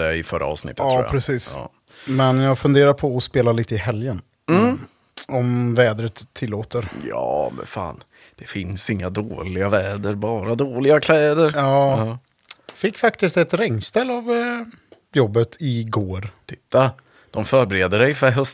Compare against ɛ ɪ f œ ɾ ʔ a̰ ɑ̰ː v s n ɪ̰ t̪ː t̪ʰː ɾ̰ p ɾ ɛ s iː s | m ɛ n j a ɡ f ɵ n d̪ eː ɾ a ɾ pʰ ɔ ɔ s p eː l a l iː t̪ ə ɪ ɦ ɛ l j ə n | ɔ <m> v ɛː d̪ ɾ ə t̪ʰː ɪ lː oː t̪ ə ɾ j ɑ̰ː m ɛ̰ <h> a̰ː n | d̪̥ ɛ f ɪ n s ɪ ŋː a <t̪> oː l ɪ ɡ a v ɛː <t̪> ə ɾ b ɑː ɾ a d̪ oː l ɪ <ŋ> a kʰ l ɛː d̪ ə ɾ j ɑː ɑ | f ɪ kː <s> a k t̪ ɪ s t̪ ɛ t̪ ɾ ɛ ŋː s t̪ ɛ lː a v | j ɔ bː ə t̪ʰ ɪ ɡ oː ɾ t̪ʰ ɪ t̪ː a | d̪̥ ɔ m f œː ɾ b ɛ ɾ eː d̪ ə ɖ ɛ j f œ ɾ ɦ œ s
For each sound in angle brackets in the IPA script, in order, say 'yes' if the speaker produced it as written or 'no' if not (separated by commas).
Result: yes, no, no, no, no, no